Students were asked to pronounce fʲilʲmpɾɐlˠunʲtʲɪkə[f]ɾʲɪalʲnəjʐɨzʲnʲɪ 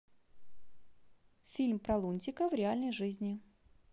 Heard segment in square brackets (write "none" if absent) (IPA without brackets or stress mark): v